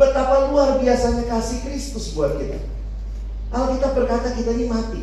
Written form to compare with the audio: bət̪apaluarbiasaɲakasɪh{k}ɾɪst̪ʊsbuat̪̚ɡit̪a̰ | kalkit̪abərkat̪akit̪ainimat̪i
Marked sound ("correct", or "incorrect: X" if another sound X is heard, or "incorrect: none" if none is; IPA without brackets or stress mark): correct